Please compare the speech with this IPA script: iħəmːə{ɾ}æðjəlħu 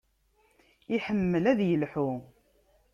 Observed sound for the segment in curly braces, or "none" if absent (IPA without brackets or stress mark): l